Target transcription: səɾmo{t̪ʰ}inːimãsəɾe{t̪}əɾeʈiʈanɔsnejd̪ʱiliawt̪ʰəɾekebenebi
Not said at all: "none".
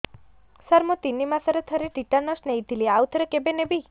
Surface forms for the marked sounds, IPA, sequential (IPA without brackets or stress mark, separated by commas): t̪, t̪ʰ